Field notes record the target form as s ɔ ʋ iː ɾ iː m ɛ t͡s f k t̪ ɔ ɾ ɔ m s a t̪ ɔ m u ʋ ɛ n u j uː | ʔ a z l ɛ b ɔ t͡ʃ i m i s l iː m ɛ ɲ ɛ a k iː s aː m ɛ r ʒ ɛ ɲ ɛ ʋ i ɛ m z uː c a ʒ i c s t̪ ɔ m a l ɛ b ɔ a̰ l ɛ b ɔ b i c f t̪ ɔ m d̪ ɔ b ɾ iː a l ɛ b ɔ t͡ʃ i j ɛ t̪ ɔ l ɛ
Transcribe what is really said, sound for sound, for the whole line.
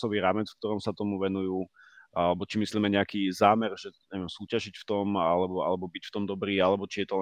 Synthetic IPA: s ɔ ʋ iː ɾ aː m ɛ t͡s f k t̪ ɔ ɾ ɔ m s a t̪ ɔ m u ʋ ɛ n u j uː | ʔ a l ɛ b ɔ t͡ʃ i m i s l iː m ɛ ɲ ɛ a k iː z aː m ɛ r ʒ ɛ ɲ ɛ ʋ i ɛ m s uː c a ʒ i c f t̪ ɔ m a l ɛ b ɔ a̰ l ɛ b ɔ b i c f t̪ ɔ m d̪ ɔ b ɾ iː a l ɛ b ɔ t͡ʃ i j ɛ t̪ ɔ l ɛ